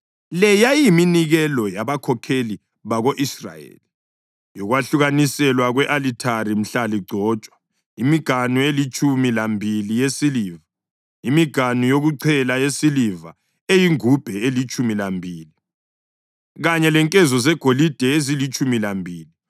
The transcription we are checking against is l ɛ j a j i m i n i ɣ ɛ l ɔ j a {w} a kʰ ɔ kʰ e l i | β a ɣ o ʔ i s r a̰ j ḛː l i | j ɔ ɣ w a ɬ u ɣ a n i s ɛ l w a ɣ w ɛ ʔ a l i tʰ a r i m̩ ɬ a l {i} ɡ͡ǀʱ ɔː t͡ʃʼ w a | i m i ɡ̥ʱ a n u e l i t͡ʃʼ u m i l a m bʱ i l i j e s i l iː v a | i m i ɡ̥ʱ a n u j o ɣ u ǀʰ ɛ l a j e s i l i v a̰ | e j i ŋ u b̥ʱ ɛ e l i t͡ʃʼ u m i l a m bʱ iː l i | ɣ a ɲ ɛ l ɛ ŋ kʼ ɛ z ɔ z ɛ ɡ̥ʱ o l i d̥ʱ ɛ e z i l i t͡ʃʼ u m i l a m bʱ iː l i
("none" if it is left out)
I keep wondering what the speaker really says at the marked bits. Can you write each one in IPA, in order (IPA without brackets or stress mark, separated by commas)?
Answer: β, i